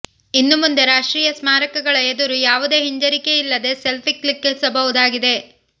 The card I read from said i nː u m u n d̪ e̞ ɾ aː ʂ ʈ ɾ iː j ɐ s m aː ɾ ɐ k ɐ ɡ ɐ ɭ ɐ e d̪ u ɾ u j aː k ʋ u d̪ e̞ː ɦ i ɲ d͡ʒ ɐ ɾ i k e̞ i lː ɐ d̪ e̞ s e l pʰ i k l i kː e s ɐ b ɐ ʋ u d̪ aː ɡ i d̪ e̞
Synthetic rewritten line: i nː u m u n d̪ e̞ ɾ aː ʂ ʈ ɾ iː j ɐ s m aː ɾ ɐ k ɐ ɡ ɐ ɭ ɐ e d̪ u ɾ u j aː ʋ u d̪ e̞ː ɦ i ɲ d͡ʒ ɐ ɾ i k e̞ i lː ɐ d̪ e̞ s e l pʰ i k l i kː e s ɐ b ɐ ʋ u d̪ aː ɡ i d̪ e̞